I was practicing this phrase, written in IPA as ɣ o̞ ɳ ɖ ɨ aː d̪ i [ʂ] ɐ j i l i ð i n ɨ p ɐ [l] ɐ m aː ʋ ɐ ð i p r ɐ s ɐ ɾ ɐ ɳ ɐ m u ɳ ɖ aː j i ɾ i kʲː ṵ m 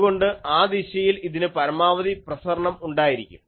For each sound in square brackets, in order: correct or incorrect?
incorrect: ɕ, incorrect: ɾ

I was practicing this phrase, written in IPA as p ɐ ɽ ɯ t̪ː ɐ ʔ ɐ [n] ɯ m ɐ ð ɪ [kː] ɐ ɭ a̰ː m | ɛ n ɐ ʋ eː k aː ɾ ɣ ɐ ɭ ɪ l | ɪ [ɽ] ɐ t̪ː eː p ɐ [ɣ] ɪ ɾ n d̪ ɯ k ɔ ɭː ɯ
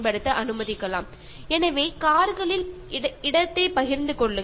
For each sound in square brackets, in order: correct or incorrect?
correct, correct, correct, correct

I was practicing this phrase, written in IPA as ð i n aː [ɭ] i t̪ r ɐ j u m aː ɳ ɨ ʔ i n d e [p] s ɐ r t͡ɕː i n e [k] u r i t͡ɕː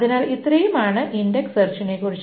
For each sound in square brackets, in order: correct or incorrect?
incorrect: l, incorrect: k, correct

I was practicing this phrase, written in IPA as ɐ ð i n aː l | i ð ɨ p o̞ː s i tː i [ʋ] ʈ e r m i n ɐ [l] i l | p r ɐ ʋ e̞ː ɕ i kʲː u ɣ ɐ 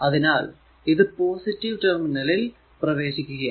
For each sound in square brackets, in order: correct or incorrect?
correct, correct

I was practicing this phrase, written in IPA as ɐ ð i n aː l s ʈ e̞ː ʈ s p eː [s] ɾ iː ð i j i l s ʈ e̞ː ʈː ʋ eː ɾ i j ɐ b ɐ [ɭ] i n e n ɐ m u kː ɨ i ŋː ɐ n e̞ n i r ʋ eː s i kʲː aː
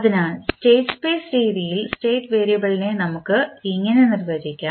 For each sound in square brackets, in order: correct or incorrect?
correct, correct

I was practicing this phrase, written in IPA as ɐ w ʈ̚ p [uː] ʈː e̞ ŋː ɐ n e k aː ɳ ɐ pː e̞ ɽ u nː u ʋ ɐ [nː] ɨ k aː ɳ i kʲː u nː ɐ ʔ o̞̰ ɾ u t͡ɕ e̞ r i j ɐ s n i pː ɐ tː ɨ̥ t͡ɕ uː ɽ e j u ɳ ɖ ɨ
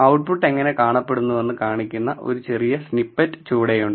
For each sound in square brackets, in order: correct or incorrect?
incorrect: u, correct

